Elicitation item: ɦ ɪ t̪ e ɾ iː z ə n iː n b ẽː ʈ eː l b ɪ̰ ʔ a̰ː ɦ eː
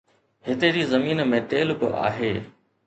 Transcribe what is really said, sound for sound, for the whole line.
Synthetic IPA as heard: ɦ ɪ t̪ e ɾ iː z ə m iː n m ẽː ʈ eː l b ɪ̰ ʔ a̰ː ɦ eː

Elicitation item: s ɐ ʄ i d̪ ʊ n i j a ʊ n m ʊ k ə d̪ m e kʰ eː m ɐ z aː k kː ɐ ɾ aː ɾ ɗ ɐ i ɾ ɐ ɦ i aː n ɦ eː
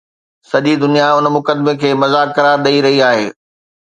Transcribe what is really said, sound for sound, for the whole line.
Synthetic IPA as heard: s ɐ ʄ i d̪ ʊ n i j a ʊ n m ʊ k ə d̪ m e kʰ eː m ɐ z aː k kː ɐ ɾ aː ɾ ɗ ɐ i ɾ ɐ ɦ i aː ɦ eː

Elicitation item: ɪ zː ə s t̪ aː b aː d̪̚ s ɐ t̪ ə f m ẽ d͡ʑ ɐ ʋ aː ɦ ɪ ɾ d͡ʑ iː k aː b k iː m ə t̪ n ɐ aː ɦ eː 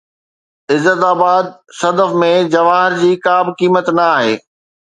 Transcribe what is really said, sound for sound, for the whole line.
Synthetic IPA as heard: ɪ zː ə t̪ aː b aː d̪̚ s ɐ d̪ ə f m ẽ d͡ʑ ɐ ʋ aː ɦ ɪ ɾ d͡ʑ iː k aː b k iː m ə t̪ n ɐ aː ɦ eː

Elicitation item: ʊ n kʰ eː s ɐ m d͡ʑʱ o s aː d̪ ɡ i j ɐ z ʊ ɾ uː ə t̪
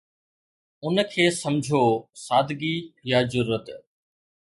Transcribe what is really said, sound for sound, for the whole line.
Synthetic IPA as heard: ʊ n kʰ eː s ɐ m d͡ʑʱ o s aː d̪ ɡ i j a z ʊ ɾ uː ə t̪

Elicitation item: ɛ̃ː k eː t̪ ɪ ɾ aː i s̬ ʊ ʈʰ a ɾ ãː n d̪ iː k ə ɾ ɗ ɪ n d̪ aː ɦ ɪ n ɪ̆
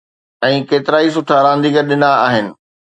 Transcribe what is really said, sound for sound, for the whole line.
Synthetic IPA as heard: ɛ̃ː k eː t̪ ɪ ɾ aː i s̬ ʊ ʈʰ a ɾ ãː n d̪ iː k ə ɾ ɗ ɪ n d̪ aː ɦ ɪ n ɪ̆

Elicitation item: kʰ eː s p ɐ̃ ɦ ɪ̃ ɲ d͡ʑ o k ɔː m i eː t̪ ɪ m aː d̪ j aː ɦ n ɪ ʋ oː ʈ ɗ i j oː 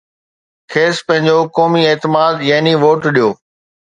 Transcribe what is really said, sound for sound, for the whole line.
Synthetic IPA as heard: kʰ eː s p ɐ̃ ɦ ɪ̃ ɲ d͡ʑ o k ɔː m i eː t̪ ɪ m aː d̪ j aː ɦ n i ʋ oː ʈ ɗ i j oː

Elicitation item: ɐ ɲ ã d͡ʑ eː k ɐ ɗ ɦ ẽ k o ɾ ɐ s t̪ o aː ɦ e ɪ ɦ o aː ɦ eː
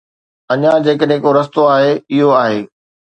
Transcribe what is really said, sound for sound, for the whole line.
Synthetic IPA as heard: ɐ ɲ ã d͡ʑ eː k ə ɗ ɦ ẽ k o ɾ ɐ s t̪ o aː ɦ e ɪ ɦ o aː ɦ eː

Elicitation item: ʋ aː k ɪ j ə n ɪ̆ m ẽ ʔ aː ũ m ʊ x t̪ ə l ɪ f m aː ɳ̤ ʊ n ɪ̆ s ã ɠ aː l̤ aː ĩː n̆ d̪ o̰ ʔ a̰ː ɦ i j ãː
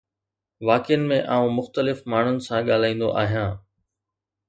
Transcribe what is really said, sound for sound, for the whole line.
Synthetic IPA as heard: ʋ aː k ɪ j ə n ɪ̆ m ẽ ʔ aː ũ m ʊ x t̪ ə l ɪ f m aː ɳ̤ ʊ n ɪ̆ s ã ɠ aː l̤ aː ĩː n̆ d̪ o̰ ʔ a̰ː ɦ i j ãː

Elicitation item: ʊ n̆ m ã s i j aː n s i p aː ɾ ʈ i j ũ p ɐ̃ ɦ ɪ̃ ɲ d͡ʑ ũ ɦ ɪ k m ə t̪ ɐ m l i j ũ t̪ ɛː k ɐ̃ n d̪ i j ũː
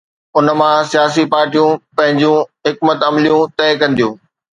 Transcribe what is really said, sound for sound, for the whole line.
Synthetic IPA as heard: ʊ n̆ m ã s i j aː s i p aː ɾ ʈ i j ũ p ɐ̃ ɦ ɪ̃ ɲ d͡ʑ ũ ɦ ɪ k m ə t̪ ɐ m l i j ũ t̪ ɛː k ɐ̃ n d̪ i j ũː

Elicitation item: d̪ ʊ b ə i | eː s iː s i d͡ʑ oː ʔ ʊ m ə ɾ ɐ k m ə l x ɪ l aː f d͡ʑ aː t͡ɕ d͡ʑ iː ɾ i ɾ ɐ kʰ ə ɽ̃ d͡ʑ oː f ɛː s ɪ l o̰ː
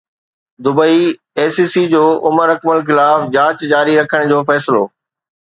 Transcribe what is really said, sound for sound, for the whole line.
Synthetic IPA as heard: d̪ ʊ b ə i | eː s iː s i d͡ʑ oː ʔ ʊ m ə ɾ ɐ k m ə l x ɪ l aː f d͡ʑ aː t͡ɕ d͡ʑ aː ɾ i ɾ ɐ kʰ ə ɽ̃ d͡ʑ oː f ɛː s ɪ l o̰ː

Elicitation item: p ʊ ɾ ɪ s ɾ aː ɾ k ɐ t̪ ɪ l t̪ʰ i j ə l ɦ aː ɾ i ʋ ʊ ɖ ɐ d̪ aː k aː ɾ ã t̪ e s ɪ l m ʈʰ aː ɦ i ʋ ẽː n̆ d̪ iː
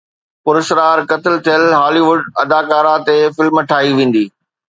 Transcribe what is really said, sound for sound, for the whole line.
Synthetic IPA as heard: p ʊ ɾ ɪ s ɾ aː ɾ k ɐ t̪ ɪ l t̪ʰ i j ə l ɦ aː l i ʋ ʊ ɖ ɐ d̪ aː k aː ɾ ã t̪ e f ɪ l m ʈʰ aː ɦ i ʋ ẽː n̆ d̪ iː

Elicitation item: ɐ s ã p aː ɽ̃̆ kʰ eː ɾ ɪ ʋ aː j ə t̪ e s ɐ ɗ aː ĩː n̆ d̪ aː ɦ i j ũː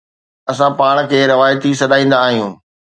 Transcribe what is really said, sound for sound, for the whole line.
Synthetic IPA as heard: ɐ s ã p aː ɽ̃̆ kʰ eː ɾ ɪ ʋ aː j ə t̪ i s ɐ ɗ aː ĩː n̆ d̪ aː ɦ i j ũː

